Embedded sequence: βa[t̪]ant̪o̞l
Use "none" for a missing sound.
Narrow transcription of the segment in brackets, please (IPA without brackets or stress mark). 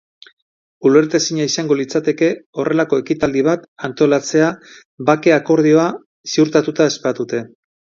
t̪